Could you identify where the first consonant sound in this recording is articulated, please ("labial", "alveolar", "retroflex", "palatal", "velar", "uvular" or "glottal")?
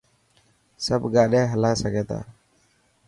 alveolar